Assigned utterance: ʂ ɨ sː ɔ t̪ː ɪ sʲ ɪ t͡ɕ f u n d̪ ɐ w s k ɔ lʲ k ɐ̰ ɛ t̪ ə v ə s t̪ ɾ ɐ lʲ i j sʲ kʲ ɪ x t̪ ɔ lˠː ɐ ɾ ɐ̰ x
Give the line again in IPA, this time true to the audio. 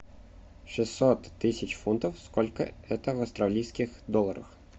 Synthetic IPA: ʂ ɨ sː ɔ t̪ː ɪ sʲ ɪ t͡ɕ f u n t̪ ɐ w s k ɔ lʲ k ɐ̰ ɛ t̪ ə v ɐ s t̪ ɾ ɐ lʲ i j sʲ kʲ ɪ x d̪ ɔ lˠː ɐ ɾ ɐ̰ x